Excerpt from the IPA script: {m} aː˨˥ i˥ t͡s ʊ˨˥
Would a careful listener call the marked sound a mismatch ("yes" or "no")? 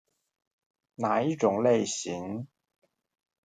yes